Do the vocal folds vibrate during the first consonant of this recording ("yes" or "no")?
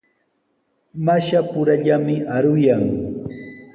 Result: yes